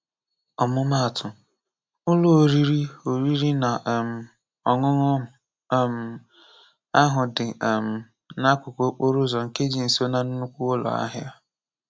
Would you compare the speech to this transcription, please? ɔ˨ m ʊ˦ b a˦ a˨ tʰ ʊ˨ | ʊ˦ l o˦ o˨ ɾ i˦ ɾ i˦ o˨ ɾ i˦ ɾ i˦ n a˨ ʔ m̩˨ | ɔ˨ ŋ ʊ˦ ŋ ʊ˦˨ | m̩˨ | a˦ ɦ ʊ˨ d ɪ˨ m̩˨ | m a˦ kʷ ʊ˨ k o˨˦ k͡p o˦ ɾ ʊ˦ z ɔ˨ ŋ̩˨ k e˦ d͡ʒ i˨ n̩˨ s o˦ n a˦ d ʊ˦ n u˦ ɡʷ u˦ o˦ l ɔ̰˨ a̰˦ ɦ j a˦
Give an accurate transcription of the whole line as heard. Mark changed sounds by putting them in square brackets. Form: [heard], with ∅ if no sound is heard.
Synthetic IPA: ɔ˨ m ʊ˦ [m] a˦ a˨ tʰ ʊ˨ | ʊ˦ l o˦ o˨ ɾ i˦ ɾ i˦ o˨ ɾ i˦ ɾ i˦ n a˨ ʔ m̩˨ | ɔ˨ ŋ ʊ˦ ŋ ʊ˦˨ | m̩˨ | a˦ ɦ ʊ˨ d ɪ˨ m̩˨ | [n] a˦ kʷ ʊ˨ k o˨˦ k͡p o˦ ɾ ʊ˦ z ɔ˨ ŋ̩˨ k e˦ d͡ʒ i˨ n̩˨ s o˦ n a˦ [n] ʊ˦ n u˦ [kʷ] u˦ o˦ l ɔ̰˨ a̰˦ ɦ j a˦